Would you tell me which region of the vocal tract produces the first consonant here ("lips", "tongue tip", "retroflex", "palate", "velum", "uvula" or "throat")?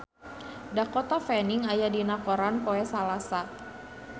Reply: tongue tip